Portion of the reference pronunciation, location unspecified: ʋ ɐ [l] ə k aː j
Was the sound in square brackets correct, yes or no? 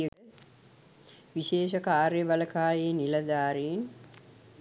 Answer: yes